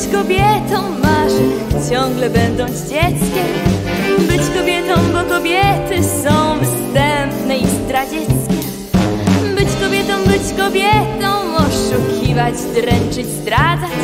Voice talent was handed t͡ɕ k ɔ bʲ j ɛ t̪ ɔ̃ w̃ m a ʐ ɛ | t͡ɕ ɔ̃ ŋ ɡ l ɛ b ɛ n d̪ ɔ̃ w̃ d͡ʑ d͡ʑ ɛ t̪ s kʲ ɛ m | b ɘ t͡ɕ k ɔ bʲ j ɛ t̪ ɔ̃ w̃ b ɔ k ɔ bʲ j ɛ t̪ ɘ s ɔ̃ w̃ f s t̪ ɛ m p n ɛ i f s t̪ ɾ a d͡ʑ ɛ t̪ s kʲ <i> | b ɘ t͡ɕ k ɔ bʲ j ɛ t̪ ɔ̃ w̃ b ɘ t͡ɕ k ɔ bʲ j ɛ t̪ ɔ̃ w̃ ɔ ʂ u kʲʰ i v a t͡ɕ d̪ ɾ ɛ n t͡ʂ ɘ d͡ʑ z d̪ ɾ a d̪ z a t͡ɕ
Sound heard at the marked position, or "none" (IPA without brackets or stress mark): ɛ